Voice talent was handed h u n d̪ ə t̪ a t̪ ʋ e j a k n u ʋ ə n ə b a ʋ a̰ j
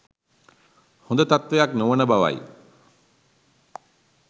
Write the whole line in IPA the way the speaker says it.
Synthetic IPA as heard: h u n d̪ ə t̪ a t̪ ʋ e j a k n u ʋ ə n ə b a ʋ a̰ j